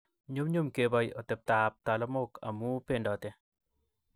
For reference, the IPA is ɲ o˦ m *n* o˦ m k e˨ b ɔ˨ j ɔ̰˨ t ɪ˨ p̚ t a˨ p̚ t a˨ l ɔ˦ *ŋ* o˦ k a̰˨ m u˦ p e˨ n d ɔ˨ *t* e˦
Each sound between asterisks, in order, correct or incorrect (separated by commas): incorrect, incorrect, correct